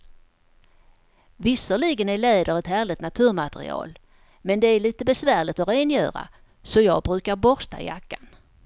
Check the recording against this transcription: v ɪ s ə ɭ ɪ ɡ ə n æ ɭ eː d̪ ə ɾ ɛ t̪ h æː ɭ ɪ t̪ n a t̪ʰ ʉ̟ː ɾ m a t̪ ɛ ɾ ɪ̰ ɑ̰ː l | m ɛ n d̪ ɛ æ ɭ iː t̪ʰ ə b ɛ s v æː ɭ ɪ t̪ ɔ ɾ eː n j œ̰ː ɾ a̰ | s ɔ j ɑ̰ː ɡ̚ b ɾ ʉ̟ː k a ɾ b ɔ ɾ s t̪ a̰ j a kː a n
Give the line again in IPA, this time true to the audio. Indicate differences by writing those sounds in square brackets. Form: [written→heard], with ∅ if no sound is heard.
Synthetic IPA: v ɪ s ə ɭ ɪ ɡ ə n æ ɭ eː d̪ ə ɾ ɛ t̪ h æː ɭ ɪ t̪ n a t̪ʰ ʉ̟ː ɾ m a t̪ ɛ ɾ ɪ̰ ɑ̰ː l | m ɛ n d̪ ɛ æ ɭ iː [t̪ʰ→t̪] ə b ɛ s v æː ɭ ɪ t̪ ɔ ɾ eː n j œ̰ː ɾ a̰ | s ɔ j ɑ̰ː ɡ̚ b ɾ ʉ̟ː k a ɾ b ɔ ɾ s t̪ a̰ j a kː a n